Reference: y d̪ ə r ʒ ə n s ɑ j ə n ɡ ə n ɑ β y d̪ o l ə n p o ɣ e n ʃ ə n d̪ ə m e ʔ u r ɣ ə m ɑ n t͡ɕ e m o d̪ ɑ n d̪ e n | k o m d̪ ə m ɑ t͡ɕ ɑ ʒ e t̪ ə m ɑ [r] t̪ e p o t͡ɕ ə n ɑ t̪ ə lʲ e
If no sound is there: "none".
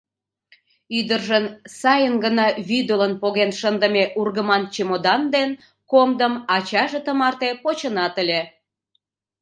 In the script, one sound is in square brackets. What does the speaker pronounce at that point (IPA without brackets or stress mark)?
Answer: r